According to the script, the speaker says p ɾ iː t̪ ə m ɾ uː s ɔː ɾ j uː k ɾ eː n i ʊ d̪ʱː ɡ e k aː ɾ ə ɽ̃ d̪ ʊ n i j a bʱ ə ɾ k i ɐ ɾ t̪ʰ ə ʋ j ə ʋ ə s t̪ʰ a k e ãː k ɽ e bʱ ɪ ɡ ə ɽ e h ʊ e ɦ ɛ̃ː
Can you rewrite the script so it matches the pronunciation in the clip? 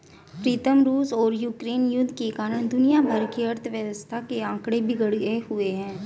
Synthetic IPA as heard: p ɾ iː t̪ ə m ɾ uː s ɔː ɾ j uː k ɾ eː n j ʊ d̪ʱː k e k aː ɾ ə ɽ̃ d̪ ʊ n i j a bʱ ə ɾ k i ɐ ɾ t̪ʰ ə ʋ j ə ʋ ə s t̪ʰ a k e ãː k ɽ e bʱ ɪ ɡ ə ɽ e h ʊ e ɦ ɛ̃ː